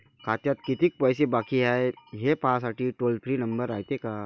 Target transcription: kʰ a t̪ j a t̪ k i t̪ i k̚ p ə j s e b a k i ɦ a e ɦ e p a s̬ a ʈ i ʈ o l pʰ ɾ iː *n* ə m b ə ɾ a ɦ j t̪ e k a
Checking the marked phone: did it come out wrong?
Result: no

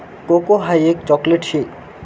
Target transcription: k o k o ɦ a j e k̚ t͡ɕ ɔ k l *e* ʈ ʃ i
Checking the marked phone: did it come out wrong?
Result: no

